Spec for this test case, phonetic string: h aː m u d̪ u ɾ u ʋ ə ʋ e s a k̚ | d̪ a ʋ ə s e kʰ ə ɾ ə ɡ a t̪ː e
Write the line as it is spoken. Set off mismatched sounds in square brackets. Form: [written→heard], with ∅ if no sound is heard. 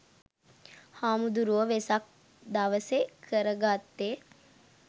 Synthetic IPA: h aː m u d̪ u ɾ u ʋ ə ʋ e s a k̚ | d̪ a ʋ ə s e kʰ ə ɾ ə ɡ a t̪ː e

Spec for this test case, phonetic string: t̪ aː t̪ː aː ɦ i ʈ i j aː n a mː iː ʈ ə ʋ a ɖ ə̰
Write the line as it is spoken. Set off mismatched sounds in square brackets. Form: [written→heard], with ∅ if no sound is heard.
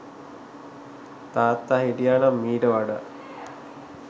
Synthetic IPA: t̪ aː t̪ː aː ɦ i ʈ i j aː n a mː iː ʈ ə ʋ a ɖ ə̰

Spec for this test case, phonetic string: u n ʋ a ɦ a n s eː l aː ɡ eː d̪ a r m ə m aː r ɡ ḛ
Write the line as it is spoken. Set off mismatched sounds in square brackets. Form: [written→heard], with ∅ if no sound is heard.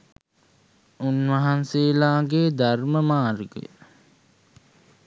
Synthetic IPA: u n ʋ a ɦ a n s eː l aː ɡ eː d̪ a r m ə m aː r ɡ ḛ

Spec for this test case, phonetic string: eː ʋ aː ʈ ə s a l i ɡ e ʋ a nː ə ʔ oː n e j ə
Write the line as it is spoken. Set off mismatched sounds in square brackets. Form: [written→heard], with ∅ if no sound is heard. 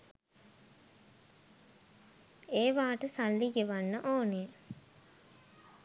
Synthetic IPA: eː ʋ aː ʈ ə s a [l→lː] i ɡ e ʋ a nː ə ʔ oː n e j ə

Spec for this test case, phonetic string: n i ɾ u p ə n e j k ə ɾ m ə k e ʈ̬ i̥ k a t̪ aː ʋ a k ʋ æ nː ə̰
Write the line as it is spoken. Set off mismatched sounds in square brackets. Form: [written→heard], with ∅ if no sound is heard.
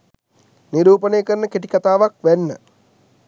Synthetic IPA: n i ɾ [u→uː] p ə n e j k ə ɾ [m→n] ə k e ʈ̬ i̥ k a t̪ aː ʋ a k ʋ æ nː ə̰

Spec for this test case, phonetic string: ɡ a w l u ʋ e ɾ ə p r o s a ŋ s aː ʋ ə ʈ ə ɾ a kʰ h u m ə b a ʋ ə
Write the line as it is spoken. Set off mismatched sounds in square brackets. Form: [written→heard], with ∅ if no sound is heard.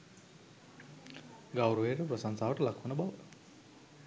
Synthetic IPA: ɡ a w [l→ɾ] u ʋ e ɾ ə p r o s a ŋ s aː ʋ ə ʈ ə [ɾ→l] a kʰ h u [m→n] ə b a ʋ ə

